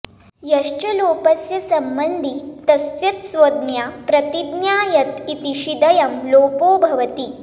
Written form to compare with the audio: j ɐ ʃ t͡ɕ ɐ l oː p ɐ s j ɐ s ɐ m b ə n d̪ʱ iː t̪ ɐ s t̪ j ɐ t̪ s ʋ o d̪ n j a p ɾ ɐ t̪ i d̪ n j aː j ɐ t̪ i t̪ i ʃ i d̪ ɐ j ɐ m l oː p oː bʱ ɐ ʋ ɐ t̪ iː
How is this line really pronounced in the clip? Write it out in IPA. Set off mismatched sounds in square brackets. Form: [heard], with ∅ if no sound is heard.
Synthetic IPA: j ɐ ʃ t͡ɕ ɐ l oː p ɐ s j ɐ s ɐ m b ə n d̪ʱ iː t̪ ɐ s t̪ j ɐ t̪ s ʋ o d̪ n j a p ɾ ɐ t̪ i d̪ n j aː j ɐ t̪ i t̪ i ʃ i d̪ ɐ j ɐ m l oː p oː bʱ ɐ ʋ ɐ t̪ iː